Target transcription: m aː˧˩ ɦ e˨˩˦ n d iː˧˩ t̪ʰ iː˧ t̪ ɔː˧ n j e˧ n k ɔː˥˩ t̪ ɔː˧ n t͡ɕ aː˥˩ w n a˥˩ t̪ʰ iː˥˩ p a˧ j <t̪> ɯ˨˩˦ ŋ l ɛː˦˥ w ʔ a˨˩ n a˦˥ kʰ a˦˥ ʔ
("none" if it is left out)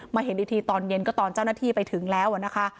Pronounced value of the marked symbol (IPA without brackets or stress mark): t̪ʰ